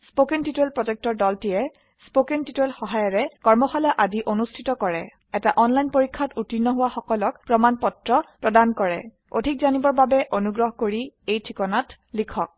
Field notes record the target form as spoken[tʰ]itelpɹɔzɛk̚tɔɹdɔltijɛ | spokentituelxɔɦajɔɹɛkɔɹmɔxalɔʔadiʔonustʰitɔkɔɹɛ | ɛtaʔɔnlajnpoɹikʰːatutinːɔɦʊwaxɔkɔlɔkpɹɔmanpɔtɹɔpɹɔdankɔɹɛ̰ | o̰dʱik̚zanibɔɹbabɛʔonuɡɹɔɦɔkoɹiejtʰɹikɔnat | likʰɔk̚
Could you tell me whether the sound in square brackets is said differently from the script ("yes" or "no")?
yes